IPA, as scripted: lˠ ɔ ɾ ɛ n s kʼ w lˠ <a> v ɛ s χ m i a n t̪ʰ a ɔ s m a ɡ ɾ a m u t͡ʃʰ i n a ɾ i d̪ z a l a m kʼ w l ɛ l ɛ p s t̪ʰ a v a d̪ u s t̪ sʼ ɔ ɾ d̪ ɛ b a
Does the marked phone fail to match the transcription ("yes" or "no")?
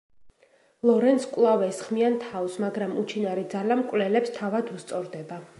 no